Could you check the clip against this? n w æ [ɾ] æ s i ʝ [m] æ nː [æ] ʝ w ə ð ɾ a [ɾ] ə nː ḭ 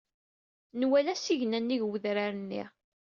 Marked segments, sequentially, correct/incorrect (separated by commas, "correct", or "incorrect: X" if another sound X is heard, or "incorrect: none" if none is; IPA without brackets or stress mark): incorrect: l, incorrect: n, incorrect: i, correct